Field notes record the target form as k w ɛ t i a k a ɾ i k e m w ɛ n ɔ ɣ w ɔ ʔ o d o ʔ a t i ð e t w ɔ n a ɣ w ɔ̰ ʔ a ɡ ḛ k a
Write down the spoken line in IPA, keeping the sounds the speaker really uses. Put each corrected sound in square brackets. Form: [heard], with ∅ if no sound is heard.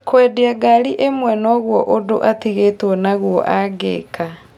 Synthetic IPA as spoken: k w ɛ [d] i a [ɡ] a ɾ i [ʔ] e m w ɛ n ɔ ɣ w ɔ ʔ o d o ʔ a t i [ɣ] e t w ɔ n a ɣ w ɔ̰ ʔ a ɡ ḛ k a